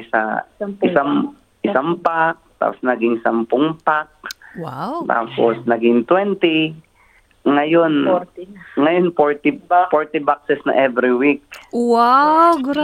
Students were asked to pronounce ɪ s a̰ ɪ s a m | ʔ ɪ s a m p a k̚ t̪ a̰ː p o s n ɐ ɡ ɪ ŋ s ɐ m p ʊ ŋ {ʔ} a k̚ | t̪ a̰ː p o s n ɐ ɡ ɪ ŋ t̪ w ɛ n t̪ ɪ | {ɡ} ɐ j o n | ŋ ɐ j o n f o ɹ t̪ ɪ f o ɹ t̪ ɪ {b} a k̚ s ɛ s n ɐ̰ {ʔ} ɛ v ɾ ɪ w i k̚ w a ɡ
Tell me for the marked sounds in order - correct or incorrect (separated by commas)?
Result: incorrect, incorrect, correct, correct